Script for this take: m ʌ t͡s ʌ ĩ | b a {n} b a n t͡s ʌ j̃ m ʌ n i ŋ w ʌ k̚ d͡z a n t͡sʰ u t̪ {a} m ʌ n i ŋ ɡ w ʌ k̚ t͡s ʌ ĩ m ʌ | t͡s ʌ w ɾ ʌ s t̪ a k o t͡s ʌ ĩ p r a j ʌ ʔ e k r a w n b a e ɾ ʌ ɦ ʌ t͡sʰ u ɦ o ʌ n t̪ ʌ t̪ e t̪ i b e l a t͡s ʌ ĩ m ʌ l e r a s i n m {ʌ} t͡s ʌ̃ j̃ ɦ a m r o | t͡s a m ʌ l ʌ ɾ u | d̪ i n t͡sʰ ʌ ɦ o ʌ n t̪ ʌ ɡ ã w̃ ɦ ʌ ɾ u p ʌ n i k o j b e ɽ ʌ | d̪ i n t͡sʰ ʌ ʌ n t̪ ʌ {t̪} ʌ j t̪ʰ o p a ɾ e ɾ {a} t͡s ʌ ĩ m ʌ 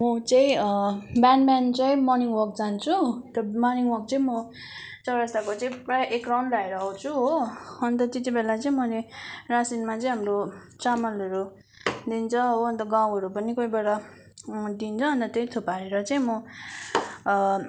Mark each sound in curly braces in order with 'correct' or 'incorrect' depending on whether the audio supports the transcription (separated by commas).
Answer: correct, incorrect, incorrect, correct, incorrect